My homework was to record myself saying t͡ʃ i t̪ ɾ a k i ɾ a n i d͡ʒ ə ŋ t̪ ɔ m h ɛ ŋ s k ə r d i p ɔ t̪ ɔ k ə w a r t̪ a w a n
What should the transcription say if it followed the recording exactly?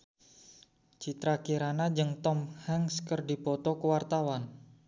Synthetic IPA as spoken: t͡ʃ i t̪ ɾ a k i ɾ a n a d͡ʒ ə ŋ t̪ ɔ m h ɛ ŋ s k ə r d i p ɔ t̪ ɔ k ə w a r t̪ a w a n